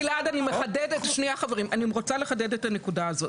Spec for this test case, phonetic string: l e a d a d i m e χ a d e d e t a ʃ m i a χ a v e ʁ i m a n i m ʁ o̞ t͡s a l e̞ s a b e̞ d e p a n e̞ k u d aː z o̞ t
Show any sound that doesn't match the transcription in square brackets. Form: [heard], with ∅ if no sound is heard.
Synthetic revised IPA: l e a d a [n] i m e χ a d e d e t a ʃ [n] i a χ a v e ʁ i m a n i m ʁ o̞ t͡s a l e̞ [χ] a [d] e̞ d e [t] a n e̞ k u d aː z o̞ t